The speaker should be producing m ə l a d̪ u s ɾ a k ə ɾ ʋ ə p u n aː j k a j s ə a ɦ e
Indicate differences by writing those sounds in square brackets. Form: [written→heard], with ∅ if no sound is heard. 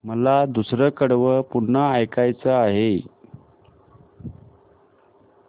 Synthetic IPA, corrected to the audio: m ə l a d̪ u s ɾ [a→ə] k ə [ɾ→ɽ] ʋ ə p u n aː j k a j [s→t͡s] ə a ɦ e